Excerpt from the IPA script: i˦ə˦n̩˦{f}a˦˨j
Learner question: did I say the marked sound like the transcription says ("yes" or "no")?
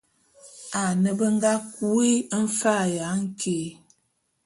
yes